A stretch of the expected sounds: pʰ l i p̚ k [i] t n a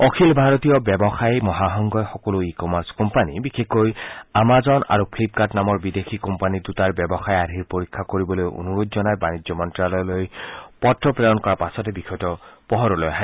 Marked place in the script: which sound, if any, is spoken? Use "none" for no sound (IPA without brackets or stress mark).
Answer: a